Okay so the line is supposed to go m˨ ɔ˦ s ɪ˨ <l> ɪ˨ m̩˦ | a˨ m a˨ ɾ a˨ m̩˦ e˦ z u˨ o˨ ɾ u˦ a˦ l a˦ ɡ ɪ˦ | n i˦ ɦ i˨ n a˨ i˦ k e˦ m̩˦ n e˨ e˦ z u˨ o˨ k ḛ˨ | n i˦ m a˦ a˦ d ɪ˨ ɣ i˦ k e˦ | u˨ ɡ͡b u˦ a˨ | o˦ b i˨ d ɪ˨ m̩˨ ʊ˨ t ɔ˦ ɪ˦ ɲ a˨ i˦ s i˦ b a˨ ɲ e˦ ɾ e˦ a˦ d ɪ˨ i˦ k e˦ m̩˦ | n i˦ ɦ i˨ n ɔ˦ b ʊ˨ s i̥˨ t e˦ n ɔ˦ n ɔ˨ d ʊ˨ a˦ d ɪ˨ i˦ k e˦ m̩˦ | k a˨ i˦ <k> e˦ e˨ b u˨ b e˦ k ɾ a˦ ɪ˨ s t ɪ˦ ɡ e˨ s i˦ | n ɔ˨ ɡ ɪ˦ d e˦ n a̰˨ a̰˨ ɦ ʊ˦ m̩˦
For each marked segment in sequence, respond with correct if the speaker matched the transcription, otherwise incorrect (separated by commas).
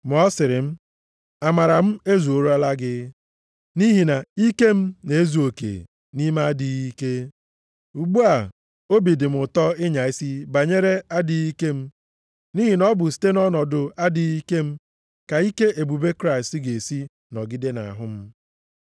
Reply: incorrect, correct